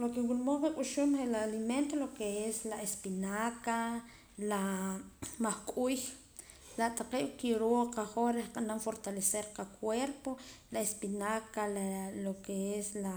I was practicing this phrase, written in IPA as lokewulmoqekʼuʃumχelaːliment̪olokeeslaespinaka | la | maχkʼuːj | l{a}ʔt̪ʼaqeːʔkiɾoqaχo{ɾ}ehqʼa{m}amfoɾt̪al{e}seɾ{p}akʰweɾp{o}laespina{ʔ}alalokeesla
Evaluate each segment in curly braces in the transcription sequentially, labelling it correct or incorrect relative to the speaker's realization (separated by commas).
correct, correct, incorrect, correct, incorrect, correct, incorrect